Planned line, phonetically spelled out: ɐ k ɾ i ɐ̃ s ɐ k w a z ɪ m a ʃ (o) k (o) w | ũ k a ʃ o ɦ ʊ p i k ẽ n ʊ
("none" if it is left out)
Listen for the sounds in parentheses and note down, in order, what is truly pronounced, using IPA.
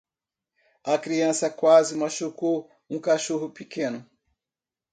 u, o

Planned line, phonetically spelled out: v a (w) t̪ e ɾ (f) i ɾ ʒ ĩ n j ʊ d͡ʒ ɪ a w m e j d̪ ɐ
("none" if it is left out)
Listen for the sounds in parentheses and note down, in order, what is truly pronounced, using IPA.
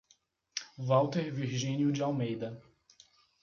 w, v

